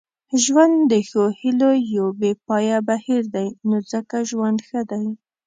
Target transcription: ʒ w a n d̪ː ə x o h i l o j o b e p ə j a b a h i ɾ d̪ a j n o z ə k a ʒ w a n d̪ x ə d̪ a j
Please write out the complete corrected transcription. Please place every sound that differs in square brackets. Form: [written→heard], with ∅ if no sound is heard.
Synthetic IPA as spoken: ʒ w a n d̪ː ə x o h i l o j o b e p [ə→ɑ] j a b a h i ɾ d̪ a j n o z ə k a ʒ w a n d̪ x ə d̪ a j